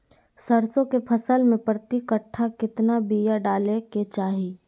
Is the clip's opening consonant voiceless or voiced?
voiceless